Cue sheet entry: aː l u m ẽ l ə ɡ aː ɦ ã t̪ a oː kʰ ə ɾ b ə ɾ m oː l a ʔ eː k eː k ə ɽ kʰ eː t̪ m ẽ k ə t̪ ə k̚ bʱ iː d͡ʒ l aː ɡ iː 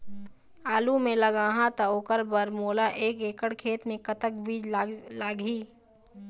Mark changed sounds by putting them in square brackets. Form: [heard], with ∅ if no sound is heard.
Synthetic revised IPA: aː l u m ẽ l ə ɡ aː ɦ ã t̪ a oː [k] ə ɾ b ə ɾ m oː l a ʔ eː k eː k ə ɽ kʰ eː t̪ m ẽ k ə t̪ ə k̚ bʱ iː d͡ʒ l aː ɡ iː